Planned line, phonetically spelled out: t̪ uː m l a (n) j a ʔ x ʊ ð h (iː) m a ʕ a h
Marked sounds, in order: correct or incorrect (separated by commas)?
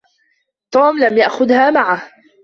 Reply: incorrect, incorrect